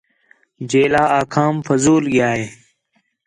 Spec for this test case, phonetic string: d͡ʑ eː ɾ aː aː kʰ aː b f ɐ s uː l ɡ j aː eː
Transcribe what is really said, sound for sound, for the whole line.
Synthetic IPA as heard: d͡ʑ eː l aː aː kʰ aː m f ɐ z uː l ɡ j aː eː